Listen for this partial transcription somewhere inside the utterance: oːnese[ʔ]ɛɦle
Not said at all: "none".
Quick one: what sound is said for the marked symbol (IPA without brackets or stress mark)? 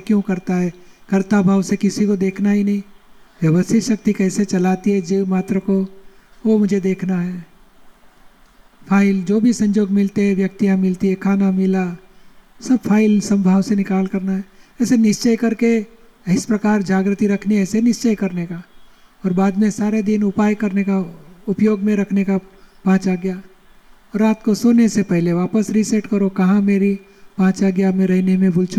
p